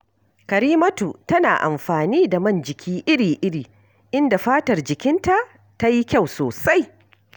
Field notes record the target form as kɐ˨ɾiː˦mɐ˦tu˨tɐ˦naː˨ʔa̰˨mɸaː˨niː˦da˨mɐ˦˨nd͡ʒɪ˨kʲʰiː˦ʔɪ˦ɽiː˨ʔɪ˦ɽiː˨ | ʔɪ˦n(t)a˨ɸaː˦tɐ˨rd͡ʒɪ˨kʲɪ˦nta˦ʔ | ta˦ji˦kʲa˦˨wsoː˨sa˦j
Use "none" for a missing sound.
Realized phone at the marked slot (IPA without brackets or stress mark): d